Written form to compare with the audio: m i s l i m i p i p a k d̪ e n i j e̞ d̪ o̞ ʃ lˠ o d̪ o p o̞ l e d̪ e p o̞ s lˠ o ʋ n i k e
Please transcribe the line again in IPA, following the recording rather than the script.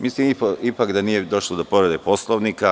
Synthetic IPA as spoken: m i s l i m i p i p a k d̪ a n i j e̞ d̪ o̞ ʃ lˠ o d̪ o p o̞ ɾ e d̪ e p o̞ s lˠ o ʋ n i k a

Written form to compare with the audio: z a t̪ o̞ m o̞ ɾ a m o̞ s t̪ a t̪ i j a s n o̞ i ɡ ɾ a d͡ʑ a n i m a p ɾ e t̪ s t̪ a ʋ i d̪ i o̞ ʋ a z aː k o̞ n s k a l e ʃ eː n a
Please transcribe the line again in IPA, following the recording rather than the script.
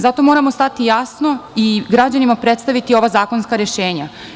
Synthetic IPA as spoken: z a t̪ o̞ m o̞ ɾ a m o̞ s t̪ a t̪ i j a s n o̞ i ɡ ɾ a d͡ʑ a n i m a p ɾ e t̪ s t̪ a ʋ i t̪ i o̞ ʋ a z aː k o̞ n s k a ɾ e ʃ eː ɲ a

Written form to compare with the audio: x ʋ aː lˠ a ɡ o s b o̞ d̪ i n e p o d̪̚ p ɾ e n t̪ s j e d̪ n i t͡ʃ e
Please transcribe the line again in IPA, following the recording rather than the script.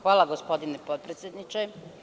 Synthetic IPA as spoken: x ʋ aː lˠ a ɡ o s p o̞ d̪ i n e p o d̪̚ p ɾ e t̪ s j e d̪ n i t͡ʃ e

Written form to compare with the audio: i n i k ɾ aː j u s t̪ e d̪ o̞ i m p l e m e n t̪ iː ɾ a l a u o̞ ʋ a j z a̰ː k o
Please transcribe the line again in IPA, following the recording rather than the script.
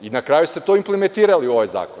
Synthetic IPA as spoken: i n a k ɾ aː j u s t̪ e t̪ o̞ i m p l e m e n t̪ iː ɾ a l i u o̞ ʋ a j z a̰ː k o

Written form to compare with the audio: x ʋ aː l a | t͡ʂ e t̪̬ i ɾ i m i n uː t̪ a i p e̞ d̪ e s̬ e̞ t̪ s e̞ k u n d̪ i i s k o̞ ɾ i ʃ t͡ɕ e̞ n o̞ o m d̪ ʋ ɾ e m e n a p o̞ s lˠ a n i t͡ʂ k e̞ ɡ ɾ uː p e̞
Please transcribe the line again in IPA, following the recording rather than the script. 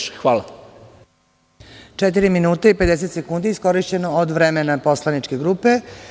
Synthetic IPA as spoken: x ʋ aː l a | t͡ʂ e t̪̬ i ɾ i m i n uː t̪ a i p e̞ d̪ e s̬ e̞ t̪ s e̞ k u n d̪ i i s k o̞ ɾ i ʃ t͡ɕ e̞ n o̞ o d̪ ʋ ɾ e m e n a p o̞ s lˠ a n i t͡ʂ k e̞ ɡ ɾ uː p e̞

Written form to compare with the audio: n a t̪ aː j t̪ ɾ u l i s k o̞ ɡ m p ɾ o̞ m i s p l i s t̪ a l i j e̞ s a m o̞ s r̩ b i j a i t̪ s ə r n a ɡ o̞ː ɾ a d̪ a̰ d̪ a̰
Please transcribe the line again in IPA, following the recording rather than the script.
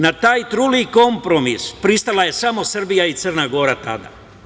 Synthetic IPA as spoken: n a t̪ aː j t̪ ɾ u l i k o̞ m p ɾ o̞ m i s p ɾ i s t̪ a l a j e̞ s a m o̞ s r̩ b i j a i t̪ s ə r n a ɡ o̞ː ɾ a t̪ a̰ d̪ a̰

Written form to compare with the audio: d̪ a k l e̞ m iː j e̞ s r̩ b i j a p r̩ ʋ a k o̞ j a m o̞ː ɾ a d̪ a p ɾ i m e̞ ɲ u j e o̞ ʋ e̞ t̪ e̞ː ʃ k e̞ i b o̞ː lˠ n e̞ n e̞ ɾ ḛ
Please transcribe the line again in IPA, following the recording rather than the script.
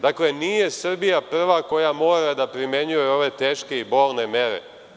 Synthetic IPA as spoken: d̪ a k l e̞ n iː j e̞ s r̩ b i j a p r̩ ʋ a k o̞ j a m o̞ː ɾ a d̪ a p ɾ i m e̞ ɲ u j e o̞ ʋ e̞ t̪ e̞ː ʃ k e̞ i b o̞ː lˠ n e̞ m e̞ ɾ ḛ

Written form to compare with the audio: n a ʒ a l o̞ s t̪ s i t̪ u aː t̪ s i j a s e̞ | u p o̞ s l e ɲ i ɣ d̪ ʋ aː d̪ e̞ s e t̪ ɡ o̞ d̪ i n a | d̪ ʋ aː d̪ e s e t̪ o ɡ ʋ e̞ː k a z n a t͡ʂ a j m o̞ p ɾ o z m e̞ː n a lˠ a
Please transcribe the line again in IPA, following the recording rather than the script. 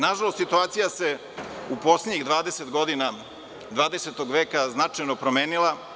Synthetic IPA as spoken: n a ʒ a l o̞ s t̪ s i t̪ u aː t̪ s i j a s e̞ | u p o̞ s l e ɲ i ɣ d̪ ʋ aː d̪ e̞ s e t̪ ɡ o̞ d̪ i n a | d̪ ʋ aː d̪ e s e t̪ o ɡ ʋ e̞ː k a z n a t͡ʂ a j n o̞ p ɾ o m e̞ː n i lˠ a

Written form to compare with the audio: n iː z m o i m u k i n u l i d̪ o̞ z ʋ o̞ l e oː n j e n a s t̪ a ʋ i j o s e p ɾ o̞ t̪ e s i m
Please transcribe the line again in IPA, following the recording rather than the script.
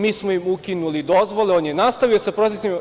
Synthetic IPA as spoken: m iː s m o i m u k i n u l i d̪ o̞ z ʋ o̞ l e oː n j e n a s t̪ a ʋ i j o s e p ɾ o̞ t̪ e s i m

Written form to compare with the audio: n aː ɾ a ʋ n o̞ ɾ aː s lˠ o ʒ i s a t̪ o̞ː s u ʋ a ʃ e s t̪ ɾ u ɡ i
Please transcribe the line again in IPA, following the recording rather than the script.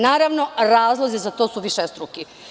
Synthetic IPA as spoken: n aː ɾ a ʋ n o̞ ɾ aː z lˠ o z i z a t̪ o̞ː s u ʋ i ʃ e s t̪ ɾ u k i

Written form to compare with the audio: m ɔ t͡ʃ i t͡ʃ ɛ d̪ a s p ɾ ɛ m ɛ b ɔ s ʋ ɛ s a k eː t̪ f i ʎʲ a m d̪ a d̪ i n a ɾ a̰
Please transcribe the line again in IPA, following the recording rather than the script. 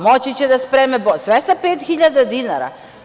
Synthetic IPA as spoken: m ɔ t͡ʃ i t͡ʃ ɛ d̪ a s p ɾ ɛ m ɛ b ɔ s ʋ ɛ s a p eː t̪ x i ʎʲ a d̪ a d̪ i n a ɾ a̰

